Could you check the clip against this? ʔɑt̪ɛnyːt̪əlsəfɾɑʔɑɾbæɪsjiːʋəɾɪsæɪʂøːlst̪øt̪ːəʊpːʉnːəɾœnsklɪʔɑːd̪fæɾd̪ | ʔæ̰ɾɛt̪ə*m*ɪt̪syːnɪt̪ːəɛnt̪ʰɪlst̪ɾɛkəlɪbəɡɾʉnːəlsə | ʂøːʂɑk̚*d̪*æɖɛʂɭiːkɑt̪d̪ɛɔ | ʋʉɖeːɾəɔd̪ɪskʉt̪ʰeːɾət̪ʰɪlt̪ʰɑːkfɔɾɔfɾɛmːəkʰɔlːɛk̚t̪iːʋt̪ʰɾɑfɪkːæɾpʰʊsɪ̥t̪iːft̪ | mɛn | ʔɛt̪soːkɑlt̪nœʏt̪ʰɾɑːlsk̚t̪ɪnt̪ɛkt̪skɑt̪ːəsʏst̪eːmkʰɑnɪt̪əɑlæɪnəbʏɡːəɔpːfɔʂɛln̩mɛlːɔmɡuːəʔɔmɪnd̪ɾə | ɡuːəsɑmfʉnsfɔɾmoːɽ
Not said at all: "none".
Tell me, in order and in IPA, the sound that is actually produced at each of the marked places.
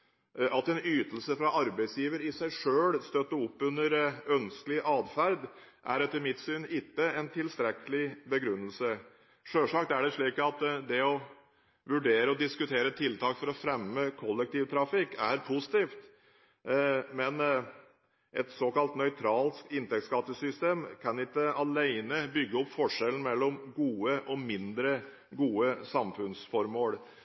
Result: m, t̪

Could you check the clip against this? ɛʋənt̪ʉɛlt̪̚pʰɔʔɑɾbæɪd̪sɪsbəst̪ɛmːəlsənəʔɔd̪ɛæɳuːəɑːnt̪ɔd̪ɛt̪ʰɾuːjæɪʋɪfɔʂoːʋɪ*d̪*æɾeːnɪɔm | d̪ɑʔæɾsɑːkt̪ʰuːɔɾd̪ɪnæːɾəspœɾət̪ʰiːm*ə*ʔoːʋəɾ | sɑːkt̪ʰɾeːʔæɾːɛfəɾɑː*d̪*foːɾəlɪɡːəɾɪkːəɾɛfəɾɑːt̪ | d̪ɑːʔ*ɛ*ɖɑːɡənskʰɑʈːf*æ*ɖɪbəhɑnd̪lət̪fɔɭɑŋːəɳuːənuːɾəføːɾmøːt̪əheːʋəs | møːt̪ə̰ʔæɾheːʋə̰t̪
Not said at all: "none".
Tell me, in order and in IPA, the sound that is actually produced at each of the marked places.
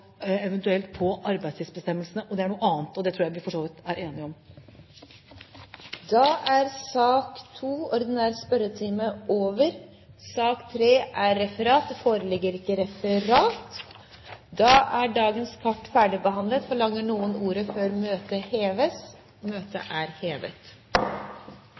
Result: t̪, ə, t̪, æ, æː

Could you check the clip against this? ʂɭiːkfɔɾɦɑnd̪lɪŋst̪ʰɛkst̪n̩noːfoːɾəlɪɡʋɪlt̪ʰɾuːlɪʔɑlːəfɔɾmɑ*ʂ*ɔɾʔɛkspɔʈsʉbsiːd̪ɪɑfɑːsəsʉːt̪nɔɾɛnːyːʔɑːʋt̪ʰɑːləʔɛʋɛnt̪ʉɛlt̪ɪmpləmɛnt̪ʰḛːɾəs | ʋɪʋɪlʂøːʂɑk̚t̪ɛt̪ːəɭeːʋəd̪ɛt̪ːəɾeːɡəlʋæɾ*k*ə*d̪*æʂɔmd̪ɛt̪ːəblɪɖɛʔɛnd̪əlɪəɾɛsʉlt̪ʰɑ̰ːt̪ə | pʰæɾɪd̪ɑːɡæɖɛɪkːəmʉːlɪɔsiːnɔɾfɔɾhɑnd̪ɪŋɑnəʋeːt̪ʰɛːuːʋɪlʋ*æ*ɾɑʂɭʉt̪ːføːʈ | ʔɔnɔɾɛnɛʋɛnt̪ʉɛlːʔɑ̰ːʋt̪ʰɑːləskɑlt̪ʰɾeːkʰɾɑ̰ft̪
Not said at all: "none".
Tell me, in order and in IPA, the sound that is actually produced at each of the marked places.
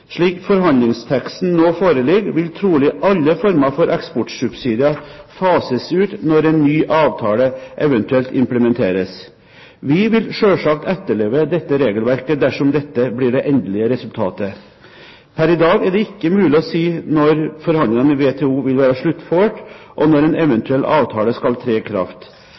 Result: f, k, d̪, æː

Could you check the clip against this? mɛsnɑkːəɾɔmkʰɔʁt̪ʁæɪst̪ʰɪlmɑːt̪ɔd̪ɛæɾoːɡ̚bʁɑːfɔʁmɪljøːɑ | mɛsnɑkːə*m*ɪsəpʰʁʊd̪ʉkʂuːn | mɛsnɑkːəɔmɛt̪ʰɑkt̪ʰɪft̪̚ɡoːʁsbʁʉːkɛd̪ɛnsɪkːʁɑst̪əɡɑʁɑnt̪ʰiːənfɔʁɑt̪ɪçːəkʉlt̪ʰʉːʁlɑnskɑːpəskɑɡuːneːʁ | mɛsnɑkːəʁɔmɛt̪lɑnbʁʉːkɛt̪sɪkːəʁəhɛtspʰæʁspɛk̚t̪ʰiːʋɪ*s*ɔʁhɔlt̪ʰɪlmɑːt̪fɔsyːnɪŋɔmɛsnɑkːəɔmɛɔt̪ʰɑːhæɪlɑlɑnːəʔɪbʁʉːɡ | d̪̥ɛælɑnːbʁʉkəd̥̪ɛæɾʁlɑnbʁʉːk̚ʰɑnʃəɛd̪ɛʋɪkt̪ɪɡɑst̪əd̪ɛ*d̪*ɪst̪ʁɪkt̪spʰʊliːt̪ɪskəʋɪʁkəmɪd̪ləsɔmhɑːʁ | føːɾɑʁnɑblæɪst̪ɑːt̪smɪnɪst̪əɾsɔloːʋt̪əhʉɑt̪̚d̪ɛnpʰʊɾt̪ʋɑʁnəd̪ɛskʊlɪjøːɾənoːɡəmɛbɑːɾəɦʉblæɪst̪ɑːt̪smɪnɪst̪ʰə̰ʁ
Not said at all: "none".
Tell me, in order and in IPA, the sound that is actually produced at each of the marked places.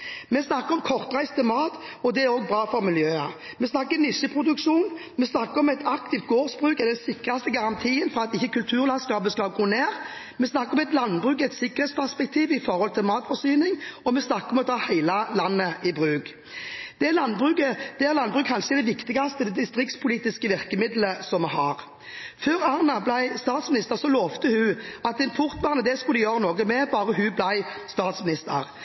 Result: n, f, d̪

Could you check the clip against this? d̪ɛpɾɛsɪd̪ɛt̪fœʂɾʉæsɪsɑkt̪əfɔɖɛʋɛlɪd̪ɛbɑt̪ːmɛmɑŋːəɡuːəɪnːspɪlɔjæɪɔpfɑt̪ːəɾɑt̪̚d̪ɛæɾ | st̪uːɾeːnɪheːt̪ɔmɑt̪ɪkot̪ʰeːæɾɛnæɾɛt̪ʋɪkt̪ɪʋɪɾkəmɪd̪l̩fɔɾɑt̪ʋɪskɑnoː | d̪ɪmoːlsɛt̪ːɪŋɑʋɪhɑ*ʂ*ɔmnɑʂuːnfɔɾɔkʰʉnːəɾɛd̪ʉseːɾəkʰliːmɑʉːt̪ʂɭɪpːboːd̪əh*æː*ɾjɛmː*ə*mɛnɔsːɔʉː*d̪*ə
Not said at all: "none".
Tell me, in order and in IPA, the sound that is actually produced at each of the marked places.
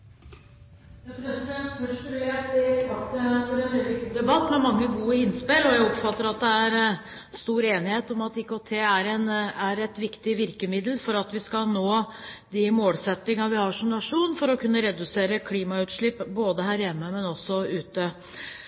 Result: ʂ, æː, ə, t̪

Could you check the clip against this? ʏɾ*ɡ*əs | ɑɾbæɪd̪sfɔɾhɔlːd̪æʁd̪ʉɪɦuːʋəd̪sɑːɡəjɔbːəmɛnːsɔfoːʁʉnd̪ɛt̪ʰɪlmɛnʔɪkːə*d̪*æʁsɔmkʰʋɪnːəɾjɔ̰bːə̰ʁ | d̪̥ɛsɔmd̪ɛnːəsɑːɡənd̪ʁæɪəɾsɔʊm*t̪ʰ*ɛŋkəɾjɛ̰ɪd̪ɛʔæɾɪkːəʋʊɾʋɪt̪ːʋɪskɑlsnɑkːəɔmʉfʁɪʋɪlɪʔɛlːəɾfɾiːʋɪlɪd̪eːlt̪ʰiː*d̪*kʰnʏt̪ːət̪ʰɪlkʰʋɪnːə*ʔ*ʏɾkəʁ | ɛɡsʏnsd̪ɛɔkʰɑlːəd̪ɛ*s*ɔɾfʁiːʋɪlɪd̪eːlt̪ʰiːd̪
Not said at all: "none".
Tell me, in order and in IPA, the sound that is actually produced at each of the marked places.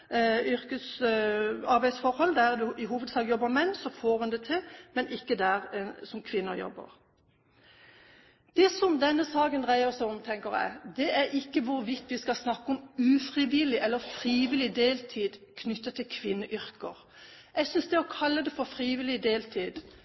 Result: k, d̪, t̪ʰ, d̪, ʔ, f

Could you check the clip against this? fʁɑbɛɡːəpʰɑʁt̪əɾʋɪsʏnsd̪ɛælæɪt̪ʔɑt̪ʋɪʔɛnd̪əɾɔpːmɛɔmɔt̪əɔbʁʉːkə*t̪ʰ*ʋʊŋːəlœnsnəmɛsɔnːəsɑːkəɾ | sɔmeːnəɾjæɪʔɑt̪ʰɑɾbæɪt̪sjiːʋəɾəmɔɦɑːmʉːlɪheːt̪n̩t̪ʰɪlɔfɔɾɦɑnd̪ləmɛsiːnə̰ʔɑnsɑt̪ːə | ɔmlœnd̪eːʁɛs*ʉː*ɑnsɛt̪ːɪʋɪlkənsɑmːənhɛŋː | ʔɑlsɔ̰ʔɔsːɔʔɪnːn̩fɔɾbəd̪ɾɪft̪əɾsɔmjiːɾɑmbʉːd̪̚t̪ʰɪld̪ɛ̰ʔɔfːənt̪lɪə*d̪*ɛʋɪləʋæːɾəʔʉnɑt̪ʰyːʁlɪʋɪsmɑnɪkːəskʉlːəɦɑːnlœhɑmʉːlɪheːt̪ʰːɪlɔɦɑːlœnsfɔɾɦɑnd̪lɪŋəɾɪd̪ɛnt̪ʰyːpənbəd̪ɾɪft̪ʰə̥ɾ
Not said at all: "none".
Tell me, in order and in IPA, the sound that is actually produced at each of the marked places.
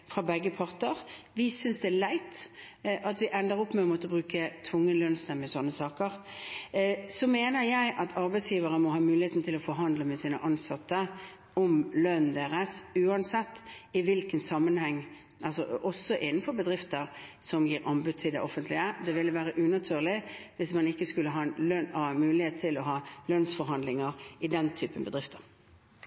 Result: t̪ʰ, ʉː, d̪

